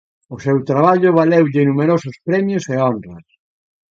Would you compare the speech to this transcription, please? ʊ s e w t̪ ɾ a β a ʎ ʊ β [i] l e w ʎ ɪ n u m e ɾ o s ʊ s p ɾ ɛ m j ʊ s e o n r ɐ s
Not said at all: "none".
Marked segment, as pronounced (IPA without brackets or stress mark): a